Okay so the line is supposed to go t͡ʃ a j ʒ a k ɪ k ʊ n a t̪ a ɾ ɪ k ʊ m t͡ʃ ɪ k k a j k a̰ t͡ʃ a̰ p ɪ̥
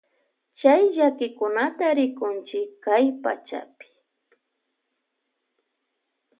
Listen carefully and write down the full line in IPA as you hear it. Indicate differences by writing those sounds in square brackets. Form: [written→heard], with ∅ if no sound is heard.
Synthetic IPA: t͡ʃ a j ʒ a k ɪ k ʊ n a t̪ a ɾ ɪ k ʊ [m→n] t͡ʃ ɪ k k a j [k→p] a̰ t͡ʃ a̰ p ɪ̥